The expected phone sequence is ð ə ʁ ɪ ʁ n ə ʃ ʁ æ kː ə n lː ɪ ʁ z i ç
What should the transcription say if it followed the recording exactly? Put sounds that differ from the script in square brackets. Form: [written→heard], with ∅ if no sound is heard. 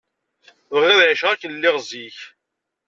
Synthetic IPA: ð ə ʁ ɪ [ʁ→ð] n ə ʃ ʁ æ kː ə n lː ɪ ʁ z i ç

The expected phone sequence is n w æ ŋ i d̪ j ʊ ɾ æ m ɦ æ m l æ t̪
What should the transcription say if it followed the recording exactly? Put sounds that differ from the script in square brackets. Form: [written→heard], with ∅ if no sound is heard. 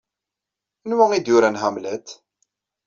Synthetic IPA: n w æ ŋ i d̪ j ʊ ɾ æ [m→n] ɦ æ m l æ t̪

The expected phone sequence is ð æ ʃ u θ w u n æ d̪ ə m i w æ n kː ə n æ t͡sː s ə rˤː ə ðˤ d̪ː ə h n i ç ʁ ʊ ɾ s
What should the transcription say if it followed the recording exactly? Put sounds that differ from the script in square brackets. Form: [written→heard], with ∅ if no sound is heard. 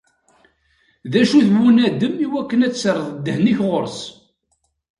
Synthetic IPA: ð æ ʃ u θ w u n æ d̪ ə m i w æ [n→∅] kː ə n æ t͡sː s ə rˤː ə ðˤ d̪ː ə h n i ç ʁ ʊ ɾ s

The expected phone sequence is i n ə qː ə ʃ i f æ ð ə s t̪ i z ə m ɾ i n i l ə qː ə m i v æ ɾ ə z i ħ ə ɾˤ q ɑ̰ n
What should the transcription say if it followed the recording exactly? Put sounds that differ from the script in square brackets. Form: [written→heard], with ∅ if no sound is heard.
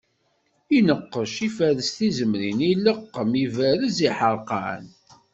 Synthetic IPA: i n ə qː ə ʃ i f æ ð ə s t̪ i z ə m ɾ i n i l ə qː ə m i v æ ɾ ə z i ħ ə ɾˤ q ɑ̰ n

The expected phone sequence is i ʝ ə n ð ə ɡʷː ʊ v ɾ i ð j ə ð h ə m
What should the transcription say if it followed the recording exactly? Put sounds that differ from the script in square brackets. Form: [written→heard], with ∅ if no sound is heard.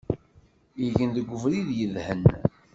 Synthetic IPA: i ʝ ə n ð ə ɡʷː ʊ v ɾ i ð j ə ð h ə [m→n]

